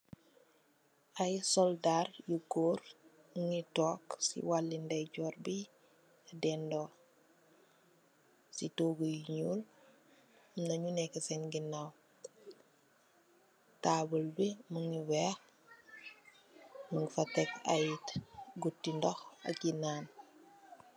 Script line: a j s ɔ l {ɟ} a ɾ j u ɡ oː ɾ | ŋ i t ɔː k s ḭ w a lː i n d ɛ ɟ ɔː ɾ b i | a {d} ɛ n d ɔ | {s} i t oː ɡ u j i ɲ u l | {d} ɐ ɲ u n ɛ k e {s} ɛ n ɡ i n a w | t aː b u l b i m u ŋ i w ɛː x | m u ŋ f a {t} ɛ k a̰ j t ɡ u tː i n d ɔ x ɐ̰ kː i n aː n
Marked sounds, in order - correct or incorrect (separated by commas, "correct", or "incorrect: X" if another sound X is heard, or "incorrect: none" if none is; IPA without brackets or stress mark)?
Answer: incorrect: d, correct, correct, incorrect: n, correct, correct